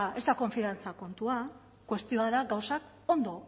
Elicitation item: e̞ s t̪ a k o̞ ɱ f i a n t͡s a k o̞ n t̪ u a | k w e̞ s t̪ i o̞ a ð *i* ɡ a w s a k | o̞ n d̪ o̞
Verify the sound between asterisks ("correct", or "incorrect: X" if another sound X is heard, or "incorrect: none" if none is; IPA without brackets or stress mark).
incorrect: a